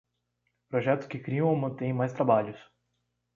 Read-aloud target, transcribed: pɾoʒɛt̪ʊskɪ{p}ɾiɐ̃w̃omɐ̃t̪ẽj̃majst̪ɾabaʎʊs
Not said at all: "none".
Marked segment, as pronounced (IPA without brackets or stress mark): k